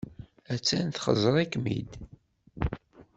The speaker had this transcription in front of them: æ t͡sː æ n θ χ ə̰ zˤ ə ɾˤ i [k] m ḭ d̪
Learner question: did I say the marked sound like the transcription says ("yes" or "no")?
yes